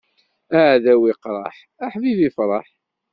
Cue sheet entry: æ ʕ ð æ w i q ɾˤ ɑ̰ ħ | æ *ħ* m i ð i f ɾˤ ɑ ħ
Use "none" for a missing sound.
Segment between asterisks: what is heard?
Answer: ħ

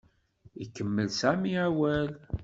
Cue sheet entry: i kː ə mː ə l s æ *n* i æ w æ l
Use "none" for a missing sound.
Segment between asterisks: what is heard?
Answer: m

